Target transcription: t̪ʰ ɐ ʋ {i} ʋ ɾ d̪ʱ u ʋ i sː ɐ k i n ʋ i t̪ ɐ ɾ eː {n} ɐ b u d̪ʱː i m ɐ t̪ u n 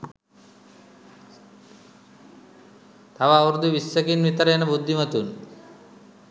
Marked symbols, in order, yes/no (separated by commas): no, yes